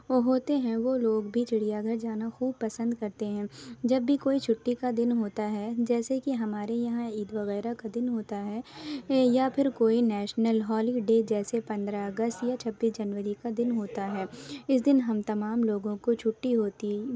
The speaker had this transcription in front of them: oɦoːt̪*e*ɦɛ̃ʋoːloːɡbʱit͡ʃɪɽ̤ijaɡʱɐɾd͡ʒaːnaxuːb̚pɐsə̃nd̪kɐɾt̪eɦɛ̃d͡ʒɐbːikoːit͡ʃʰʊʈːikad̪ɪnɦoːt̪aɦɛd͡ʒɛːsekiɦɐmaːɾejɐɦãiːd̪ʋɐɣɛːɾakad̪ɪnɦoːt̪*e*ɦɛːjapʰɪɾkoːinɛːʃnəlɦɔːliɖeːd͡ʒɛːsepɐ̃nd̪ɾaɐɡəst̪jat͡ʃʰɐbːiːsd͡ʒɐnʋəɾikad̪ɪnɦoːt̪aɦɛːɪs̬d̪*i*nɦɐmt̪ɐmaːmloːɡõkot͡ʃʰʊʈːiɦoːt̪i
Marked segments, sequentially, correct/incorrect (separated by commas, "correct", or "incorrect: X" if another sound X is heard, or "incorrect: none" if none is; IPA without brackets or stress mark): correct, incorrect: a, incorrect: ɪ